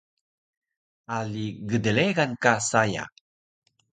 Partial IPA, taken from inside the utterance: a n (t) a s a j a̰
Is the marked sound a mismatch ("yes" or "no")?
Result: yes